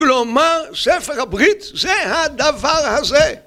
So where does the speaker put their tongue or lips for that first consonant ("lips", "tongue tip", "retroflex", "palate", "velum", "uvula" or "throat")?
tongue tip